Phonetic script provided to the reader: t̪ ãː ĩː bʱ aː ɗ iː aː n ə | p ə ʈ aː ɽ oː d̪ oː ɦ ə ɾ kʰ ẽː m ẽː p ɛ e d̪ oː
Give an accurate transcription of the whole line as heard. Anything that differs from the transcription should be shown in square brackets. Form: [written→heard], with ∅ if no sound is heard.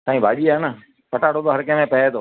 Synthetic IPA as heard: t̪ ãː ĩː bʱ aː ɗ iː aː n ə | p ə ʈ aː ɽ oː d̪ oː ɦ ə ɾ [kʰ→k] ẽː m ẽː p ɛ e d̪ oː